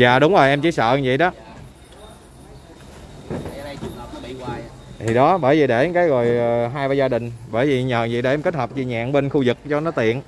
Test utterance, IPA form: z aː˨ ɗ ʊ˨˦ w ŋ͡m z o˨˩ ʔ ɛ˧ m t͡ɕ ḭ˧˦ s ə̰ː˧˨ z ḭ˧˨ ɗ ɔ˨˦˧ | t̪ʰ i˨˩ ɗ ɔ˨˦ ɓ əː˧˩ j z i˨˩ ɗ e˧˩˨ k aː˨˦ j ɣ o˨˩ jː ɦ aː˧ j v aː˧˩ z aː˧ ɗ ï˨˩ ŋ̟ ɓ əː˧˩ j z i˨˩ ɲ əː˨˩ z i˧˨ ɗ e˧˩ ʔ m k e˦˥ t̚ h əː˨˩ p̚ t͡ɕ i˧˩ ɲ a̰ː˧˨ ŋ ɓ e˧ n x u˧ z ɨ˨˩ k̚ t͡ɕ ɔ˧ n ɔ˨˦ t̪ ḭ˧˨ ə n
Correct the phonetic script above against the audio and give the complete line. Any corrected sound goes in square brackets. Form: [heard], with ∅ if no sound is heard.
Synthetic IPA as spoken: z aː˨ ɗ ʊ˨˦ w ŋ͡m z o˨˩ ʔ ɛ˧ m t͡ɕ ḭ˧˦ s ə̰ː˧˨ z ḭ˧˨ ɗ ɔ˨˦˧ | t̪ʰ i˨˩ ɗ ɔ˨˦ ɓ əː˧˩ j [v] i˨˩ ɗ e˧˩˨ k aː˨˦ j ɣ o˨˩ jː ɦ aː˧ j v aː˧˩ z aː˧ ɗ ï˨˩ ŋ̟ ɓ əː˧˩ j [v] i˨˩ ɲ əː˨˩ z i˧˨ ɗ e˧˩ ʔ m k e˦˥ t̚ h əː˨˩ p̚ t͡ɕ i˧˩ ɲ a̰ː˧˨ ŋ ɓ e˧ n x u˧ z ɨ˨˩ k̚ t͡ɕ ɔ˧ n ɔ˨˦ t̪ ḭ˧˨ ə n